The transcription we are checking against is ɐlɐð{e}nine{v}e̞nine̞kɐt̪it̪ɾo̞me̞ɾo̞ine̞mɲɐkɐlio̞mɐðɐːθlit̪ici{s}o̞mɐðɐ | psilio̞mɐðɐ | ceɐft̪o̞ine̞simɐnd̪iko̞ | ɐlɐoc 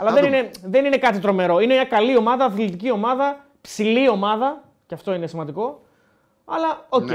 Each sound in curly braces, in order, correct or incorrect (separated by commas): correct, incorrect, incorrect